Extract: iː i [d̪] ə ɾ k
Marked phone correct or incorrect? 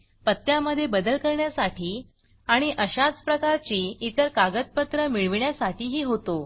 incorrect